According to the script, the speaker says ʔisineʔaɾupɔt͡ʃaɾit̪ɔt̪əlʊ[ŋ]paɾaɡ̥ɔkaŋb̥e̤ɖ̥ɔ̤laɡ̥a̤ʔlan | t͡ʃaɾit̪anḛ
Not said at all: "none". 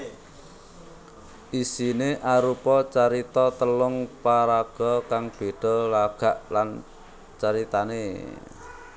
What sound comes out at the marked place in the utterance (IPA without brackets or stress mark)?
ŋ